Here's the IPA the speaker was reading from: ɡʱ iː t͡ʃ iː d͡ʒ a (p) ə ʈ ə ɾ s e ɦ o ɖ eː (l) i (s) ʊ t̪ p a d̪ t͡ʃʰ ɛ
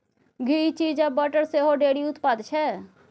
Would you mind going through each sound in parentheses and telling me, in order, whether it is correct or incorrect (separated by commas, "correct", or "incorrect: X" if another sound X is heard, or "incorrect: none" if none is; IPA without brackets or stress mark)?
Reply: incorrect: b, incorrect: ɽ, incorrect: none